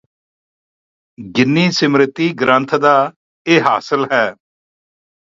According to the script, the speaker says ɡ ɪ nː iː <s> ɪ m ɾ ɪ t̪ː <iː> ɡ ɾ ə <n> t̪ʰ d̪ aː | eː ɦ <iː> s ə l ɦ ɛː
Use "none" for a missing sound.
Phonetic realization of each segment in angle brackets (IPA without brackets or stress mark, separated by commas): s, iː, n, aː